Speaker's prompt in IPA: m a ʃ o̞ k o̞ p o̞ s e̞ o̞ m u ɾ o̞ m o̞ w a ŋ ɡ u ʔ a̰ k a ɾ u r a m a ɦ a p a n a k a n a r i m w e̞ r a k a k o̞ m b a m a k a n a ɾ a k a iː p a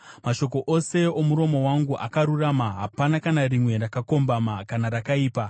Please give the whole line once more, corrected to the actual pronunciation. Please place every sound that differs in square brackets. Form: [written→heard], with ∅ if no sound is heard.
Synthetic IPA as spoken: m a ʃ o̞ k o̞ [p→ʔ] o̞ s e̞ o̞ m u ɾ o̞ m o̞ w a ŋ ɡ u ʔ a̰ k a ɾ u r a m a ɦ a p a n a k a n a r i m w e̞ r a k a k o̞ m b a m a k a n a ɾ a k a iː p a